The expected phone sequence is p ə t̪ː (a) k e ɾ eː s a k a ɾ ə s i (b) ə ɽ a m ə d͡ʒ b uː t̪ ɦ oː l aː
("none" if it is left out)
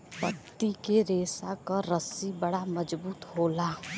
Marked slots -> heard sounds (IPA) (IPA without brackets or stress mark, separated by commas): i, b